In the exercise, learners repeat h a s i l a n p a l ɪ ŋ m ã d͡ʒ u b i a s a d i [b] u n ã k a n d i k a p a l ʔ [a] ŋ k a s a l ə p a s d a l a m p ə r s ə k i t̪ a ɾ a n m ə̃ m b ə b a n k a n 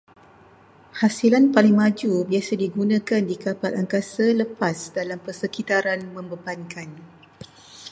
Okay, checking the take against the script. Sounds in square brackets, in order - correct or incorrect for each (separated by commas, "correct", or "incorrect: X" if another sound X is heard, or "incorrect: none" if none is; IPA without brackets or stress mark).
incorrect: ɡ, correct